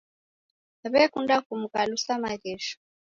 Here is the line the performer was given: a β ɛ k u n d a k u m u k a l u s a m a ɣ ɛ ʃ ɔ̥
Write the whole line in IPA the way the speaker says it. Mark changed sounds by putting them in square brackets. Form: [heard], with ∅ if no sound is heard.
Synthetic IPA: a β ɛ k u n d a k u m u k a l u s a m a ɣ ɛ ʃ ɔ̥